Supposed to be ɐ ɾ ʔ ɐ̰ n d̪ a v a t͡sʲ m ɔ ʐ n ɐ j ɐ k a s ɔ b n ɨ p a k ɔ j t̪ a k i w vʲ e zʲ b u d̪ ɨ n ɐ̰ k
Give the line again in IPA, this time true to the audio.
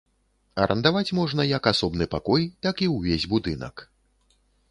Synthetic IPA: ɐ ɾ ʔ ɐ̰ n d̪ a v a t͡sʲ m ɔ ʐ n ɐ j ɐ k a s ɔ b n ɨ p a k ɔ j t̪ a k i w vʲ e zʲ b u d̪ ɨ n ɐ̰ k